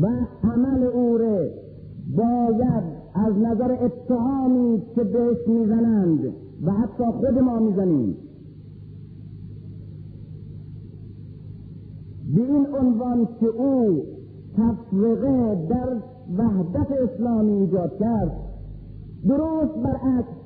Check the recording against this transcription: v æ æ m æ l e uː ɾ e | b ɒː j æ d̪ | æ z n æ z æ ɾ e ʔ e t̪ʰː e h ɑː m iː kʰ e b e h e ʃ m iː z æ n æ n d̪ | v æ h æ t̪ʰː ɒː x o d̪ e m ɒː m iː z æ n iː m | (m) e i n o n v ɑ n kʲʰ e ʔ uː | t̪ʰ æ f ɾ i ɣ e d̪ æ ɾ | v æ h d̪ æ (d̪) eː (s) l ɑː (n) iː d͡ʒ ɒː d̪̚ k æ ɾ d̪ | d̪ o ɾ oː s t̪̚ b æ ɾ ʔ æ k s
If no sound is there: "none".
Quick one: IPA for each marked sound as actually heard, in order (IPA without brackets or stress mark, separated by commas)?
b, t̪, s, m